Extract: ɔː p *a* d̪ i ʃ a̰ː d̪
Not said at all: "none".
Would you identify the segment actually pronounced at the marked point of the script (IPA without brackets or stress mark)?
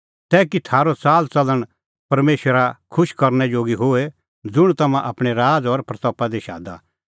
a